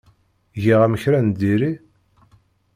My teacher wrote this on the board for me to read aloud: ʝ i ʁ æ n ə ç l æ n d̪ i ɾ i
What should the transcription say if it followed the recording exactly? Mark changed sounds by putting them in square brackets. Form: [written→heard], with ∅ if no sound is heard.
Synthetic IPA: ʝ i ʁ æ [n→m] ə ç [l→ɾ] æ n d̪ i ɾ i